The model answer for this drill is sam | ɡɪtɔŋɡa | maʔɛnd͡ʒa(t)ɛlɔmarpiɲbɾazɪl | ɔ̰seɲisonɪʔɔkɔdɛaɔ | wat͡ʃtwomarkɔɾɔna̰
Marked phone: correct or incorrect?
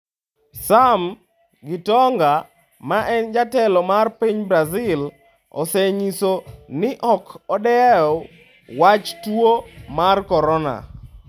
correct